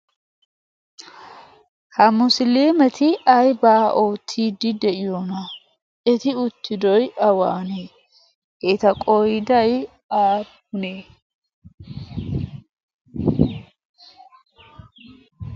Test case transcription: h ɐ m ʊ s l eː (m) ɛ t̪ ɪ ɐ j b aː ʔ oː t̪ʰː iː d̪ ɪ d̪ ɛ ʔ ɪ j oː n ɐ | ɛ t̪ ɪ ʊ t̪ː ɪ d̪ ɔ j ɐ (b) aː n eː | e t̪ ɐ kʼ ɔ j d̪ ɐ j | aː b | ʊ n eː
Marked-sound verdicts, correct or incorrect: correct, incorrect: w

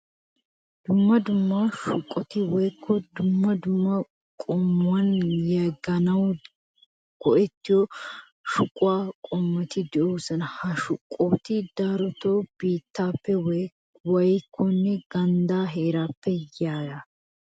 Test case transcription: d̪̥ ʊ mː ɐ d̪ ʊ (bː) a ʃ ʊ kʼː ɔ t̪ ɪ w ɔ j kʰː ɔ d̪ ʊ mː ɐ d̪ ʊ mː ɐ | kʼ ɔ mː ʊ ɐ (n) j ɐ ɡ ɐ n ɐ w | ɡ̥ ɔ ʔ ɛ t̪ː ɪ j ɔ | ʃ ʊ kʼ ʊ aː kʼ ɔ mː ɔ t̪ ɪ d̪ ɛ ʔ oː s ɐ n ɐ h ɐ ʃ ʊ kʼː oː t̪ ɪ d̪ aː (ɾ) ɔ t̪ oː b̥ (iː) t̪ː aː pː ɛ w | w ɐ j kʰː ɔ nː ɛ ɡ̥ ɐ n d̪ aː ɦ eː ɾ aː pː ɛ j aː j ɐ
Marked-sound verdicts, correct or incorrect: incorrect: mː, correct, correct, correct

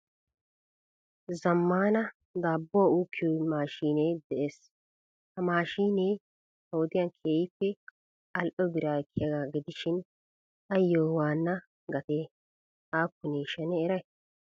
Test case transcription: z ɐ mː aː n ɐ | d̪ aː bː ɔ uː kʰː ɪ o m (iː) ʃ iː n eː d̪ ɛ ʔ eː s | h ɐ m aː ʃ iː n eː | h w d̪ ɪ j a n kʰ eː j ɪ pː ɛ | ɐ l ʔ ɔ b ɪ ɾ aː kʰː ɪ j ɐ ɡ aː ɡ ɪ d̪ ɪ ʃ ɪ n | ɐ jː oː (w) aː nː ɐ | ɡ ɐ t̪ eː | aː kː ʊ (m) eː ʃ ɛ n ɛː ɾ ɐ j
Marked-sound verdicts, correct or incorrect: incorrect: aː, correct, incorrect: n

